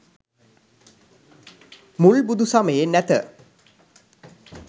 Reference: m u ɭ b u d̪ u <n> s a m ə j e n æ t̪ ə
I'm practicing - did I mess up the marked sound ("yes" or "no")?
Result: yes